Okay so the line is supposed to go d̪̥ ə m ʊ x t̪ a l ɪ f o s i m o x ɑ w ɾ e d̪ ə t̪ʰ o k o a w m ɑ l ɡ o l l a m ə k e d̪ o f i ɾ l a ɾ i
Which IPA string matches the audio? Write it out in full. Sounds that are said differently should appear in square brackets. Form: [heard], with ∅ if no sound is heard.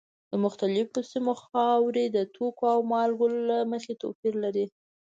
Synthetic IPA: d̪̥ ə m ʊ x t̪ a l ɪ f o s i m o x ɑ w ɾ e d̪ ə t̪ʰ o k o a w m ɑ l ɡ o l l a m ə [x] e [t̪] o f i ɾ l a ɾ i